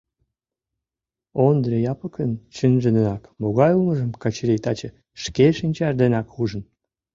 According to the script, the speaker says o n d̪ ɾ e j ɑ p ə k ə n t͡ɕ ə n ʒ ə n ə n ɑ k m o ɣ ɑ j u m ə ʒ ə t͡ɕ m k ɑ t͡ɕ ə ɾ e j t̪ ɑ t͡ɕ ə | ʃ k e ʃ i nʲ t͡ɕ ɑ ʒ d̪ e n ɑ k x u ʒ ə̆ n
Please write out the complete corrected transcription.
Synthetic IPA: o n d̪ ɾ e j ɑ p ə k ə n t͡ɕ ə n ʒ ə n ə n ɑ k m o ɣ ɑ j u m ə ʒ ə m k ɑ t͡ɕ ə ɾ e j t̪ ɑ t͡ɕ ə | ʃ k e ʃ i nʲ t͡ɕ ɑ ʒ d̪ e n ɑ k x u ʒ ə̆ n